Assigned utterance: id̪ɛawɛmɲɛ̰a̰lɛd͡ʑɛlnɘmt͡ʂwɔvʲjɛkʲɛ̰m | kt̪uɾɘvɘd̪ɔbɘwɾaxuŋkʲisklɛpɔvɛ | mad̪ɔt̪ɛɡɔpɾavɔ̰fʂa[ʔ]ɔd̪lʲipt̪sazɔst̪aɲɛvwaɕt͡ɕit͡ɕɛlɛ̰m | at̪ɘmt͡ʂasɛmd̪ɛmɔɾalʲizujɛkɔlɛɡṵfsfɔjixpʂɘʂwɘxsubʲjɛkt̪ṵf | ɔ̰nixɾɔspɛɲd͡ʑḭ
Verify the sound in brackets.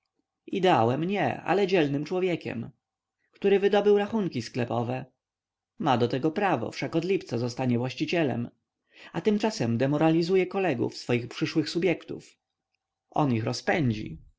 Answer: incorrect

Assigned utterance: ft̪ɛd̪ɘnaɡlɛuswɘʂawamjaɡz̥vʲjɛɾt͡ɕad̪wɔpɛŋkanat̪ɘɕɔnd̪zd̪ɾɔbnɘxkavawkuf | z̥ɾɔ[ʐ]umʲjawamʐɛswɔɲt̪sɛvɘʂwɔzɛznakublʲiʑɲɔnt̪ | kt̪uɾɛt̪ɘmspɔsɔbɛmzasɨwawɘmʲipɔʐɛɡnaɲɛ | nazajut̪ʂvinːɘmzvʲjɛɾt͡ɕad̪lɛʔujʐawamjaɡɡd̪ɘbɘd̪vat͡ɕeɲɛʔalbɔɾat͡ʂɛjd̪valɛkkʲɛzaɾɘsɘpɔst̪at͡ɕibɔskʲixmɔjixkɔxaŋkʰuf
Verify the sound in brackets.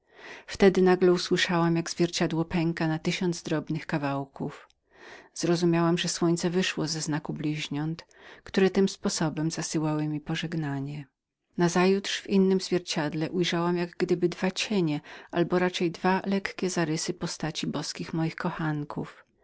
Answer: incorrect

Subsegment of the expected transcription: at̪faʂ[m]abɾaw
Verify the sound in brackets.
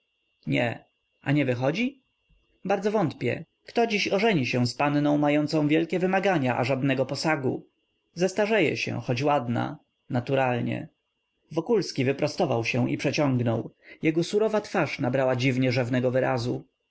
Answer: incorrect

